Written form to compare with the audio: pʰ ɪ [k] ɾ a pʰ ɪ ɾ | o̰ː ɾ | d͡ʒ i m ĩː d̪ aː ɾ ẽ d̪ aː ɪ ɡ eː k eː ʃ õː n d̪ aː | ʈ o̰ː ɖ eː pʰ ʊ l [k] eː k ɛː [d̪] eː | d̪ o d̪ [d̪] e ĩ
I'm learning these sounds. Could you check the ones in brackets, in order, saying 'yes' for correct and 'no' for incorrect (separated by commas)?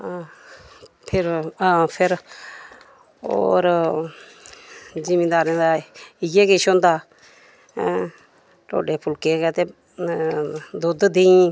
no, yes, no, yes